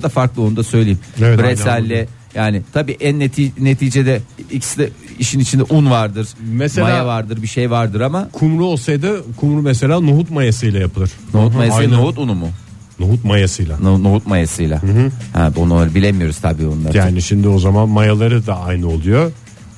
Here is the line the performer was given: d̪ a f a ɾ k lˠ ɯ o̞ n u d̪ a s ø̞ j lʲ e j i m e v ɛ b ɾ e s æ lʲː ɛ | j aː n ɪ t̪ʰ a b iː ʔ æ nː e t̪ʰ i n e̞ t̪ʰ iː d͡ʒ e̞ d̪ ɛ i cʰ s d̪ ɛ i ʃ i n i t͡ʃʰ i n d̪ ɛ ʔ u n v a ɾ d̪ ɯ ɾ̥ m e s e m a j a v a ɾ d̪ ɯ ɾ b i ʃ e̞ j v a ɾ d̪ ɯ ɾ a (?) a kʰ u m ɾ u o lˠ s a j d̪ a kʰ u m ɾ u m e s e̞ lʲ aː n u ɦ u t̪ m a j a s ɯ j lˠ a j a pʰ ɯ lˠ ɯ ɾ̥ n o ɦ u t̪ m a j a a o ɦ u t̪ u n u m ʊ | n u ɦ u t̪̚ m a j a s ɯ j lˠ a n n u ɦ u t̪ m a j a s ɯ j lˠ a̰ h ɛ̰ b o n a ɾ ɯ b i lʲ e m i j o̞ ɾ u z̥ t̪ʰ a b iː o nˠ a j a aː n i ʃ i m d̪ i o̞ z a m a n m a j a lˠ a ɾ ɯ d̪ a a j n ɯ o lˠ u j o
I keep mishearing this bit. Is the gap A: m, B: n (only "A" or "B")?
A